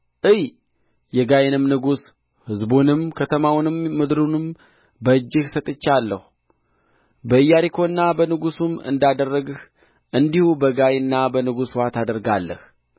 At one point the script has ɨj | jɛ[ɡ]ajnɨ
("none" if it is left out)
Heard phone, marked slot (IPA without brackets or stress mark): ɡ